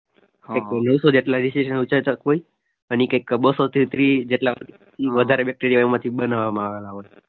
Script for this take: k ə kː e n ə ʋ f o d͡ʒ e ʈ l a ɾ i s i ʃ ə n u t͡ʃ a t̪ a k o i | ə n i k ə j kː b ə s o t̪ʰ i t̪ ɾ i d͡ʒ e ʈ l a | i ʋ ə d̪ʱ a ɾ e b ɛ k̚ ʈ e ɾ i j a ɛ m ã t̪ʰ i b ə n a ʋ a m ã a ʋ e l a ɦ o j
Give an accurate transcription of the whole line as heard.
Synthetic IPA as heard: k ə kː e n ə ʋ s o d͡ʒ e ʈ l a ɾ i s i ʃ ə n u t͡ʃ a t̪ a k o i | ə n i k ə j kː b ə s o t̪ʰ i t̪ ɾ i d͡ʒ e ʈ l a | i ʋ ə d̪ʱ a ɾ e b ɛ k̚ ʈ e ɾ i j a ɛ m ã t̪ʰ i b ə n a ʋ a m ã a ʋ e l a ɦ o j